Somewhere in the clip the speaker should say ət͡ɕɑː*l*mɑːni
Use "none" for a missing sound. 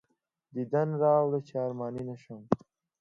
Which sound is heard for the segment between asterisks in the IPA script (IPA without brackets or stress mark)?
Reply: ɾ